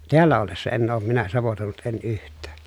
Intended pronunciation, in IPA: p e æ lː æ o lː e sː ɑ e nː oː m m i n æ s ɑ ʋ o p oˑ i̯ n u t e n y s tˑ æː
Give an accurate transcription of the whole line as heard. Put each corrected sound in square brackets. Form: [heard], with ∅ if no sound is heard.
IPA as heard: [t] e æ lː æ o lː e sː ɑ e nː oː m m i n æ s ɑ ʋ o [t] oˑ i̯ n u t e n y [h] tˑ æː

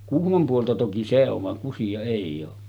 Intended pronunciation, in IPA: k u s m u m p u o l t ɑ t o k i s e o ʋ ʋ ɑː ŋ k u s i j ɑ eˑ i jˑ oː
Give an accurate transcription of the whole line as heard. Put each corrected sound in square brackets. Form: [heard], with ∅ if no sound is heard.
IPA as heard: k u [h] m [o] m p u o l t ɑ t o k i s e o ʋ ʋ [ɑ] ŋ k u s i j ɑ eˑ i jˑ oː

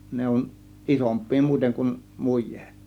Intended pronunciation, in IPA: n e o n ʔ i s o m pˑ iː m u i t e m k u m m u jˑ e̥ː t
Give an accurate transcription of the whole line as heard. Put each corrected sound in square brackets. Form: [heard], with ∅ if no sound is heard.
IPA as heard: n e o n ʔ i s o m pˑ iː m u i t e [ŋ] k u [n] m u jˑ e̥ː t

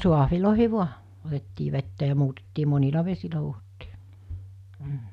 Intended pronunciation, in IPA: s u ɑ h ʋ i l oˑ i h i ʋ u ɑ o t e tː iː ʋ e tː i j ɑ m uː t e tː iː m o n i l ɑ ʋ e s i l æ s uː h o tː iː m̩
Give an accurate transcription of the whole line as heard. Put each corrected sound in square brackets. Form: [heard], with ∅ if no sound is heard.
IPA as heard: s u ɑ h ʋ i l oˑ i h i ʋ u ɑ o t e tː iː ʋ e tː [æ] j ɑ m uː t e tː iː m o n i l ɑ ʋ e s i l æ [h] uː h o tː iː m̩

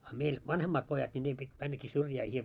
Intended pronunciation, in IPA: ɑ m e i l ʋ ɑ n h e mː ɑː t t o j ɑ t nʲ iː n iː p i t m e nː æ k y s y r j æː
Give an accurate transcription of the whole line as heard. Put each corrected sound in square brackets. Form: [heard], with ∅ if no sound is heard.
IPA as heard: ɑ m e i l ʋ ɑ n h e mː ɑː t [p] o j ɑ t nʲ [i] n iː p i t m [æ] nː æ k [i] s y r j æː

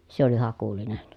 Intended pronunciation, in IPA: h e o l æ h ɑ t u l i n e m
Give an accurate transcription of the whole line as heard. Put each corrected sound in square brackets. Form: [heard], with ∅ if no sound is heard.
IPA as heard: [s] e o l [i] h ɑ [k] u l i n e [n]

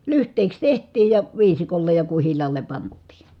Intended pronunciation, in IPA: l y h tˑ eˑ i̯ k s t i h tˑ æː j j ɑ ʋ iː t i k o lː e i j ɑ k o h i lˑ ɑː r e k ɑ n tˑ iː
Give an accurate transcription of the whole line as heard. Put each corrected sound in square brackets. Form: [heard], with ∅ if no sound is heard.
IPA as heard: l y h tˑ eˑ i̯ k s t [e] h tˑ [iː] j j ɑ ʋ iː [s] i k o lː e [j] j ɑ k [u] h i lˑ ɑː [l] e [p] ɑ n tˑ iː

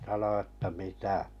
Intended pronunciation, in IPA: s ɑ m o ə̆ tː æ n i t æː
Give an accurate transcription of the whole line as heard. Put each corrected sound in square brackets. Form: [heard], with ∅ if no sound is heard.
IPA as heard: s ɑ [n] o ə̆ tː æ [m] i t [æ]

